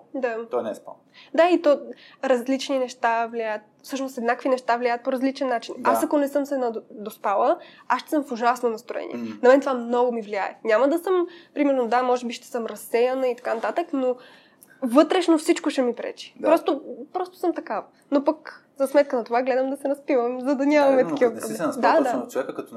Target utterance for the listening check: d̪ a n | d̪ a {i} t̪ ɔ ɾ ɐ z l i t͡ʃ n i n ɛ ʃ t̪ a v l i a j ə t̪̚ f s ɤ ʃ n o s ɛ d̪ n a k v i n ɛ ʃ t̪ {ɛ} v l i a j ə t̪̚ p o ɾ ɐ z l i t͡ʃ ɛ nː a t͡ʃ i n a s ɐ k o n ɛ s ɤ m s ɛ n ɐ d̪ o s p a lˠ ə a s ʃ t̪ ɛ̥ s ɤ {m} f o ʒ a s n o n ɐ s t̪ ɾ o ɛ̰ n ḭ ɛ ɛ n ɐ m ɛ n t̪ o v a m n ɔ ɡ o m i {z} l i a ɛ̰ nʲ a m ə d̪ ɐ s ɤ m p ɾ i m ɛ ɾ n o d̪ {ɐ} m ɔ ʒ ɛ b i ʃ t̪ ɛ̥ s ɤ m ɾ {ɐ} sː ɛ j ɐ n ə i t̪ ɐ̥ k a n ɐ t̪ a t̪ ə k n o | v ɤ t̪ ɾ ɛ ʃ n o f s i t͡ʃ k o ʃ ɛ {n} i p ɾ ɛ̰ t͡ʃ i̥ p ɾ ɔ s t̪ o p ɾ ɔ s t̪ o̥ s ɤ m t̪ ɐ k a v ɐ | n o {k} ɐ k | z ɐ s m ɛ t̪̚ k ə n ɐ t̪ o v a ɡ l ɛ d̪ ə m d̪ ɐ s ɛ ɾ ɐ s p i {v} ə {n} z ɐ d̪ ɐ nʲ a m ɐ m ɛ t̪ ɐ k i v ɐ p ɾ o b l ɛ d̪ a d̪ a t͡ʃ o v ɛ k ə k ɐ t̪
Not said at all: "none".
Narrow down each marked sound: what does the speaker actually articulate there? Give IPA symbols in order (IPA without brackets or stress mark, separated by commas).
i, a, m, v, a, ɐ, m, p, v, m